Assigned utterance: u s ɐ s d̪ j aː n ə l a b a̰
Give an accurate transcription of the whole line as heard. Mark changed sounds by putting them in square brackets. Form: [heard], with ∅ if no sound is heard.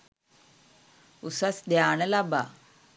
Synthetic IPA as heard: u s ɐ s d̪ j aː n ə l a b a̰